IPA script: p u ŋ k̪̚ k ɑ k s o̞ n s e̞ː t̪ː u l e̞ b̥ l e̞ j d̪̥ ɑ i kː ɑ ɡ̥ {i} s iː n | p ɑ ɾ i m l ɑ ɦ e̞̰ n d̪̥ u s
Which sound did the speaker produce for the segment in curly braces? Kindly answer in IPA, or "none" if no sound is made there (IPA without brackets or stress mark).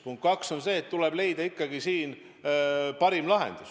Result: i